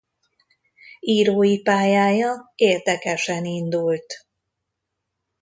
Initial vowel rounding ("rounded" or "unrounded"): unrounded